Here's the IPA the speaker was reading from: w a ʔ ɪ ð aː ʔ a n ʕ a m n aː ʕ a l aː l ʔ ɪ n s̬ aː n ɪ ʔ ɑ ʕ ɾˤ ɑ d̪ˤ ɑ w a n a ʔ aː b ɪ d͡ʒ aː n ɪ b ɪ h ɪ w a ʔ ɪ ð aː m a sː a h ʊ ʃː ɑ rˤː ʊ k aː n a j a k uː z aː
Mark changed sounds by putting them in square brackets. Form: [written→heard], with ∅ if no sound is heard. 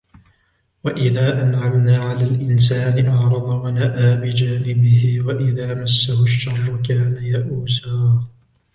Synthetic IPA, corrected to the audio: w a ʔ ɪ ð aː ʔ a n ʕ a m n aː ʕ a l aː l ʔ ɪ n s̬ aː n ɪ ʔ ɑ ʕ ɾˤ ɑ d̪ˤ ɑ w a n a ʔ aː b ɪ d͡ʒ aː n ɪ b ɪ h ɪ w a ʔ ɪ ð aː m a sː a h ʊ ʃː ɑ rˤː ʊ k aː n a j a [k→ʔ] uː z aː

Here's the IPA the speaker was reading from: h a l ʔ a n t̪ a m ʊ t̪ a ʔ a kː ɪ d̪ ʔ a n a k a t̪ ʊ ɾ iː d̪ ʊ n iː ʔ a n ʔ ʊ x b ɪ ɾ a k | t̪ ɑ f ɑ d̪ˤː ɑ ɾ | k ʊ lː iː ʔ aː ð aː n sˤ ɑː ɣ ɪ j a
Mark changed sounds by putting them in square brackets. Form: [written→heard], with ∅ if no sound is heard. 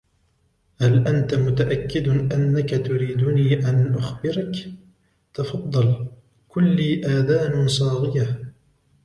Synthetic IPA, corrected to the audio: h a l ʔ a n t̪ a m ʊ t̪ a ʔ a kː ɪ d̪ ʔ a [n→nː] a k a t̪ ʊ ɾ iː d̪ ʊ n iː ʔ a n ʔ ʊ x b ɪ ɾ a k | t̪ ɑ f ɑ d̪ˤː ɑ [ɾ→l] | k ʊ lː iː ʔ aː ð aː n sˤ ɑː ɣ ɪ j a

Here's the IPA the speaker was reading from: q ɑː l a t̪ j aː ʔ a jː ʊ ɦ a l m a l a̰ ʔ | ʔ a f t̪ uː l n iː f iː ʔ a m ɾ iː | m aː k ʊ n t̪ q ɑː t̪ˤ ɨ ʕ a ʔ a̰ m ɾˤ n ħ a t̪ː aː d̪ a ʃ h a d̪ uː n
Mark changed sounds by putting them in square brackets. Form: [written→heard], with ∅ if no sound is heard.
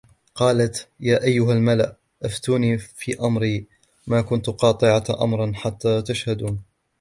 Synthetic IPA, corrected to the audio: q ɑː l a t̪ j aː ʔ a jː ʊ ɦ a l m a l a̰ ʔ | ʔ a f t̪ uː [l→∅] n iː f iː ʔ a m ɾ iː | m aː k ʊ n t̪ q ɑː t̪ˤ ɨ ʕ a ʔ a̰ m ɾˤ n ħ a t̪ː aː [d̪→t̪] a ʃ h a d̪ uː n

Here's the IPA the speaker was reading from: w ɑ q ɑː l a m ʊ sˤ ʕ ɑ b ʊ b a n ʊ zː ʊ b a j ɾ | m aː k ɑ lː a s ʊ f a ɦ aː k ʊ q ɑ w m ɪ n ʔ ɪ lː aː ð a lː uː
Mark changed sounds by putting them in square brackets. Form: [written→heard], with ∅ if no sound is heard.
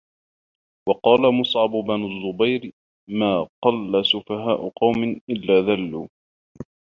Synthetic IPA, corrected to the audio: w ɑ q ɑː l a m ʊ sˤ ʕ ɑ b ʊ b a n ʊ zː ʊ b a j ɾ | m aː [k→q] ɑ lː a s ʊ f a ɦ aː [k→ʔ] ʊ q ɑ w m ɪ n ʔ ɪ lː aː ð a lː uː

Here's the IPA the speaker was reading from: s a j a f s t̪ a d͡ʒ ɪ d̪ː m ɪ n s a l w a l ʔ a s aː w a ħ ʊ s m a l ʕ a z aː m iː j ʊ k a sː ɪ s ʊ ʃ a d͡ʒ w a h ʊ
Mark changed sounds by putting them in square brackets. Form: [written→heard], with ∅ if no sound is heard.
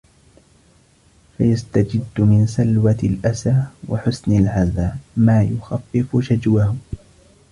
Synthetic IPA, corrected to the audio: [s→f] a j a [f→∅] s t̪ a d͡ʒ ɪ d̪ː m ɪ n s a l w a l ʔ a s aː w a ħ ʊ s [m→n] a l ʕ a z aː m [iː→aː] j ʊ [k→x] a [sː→fː] ɪ [s→f] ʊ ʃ a d͡ʒ w a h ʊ

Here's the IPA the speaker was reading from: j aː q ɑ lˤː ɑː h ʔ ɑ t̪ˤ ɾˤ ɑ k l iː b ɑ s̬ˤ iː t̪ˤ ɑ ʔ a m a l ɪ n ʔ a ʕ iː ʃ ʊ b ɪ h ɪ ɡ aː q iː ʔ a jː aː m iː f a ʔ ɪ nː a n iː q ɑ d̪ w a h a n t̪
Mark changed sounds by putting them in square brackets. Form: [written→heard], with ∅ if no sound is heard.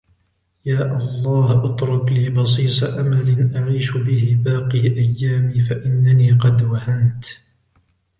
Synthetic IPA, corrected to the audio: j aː [q→ʔ] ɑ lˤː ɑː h ʔ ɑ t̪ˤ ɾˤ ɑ k l iː b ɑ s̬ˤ iː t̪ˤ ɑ ʔ a m a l ɪ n ʔ a ʕ iː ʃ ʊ b ɪ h ɪ [ɡ→b] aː q iː ʔ a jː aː m iː f a ʔ ɪ nː a n iː q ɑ d̪ w a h a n t̪

